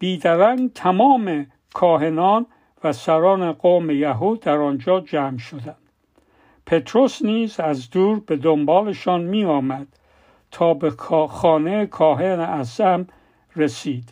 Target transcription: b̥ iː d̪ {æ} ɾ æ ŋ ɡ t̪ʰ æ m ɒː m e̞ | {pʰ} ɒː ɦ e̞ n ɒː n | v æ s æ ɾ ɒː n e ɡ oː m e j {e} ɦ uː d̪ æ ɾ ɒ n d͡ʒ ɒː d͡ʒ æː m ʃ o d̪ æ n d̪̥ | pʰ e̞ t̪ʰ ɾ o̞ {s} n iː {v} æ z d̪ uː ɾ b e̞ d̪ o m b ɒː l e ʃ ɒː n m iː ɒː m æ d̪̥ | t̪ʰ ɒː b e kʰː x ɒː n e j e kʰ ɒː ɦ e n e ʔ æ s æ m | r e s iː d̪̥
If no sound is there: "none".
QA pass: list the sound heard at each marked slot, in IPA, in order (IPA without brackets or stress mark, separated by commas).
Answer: æ, kʰ, æ, s, z